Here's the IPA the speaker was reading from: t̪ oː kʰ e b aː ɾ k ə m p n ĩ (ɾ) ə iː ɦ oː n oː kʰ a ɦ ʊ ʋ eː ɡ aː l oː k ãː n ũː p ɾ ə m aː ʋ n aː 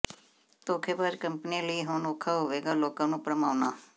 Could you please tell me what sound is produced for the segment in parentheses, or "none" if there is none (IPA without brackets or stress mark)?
l